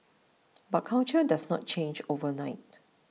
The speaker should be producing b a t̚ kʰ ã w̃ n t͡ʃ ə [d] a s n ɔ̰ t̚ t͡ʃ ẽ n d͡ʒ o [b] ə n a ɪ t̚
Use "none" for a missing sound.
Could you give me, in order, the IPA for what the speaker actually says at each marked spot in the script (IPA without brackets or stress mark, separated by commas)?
d, v